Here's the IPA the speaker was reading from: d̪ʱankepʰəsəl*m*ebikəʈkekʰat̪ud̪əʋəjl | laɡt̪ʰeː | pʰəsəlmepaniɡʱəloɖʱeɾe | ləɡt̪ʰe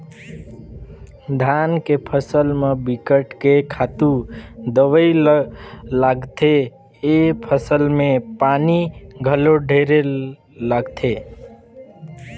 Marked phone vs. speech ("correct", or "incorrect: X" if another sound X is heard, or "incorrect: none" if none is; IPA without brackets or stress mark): correct